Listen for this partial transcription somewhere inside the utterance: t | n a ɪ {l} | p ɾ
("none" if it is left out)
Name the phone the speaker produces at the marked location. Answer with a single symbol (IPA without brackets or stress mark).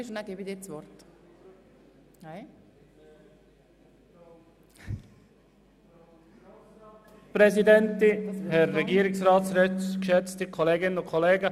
none